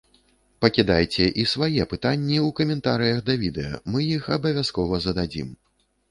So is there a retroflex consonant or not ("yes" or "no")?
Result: no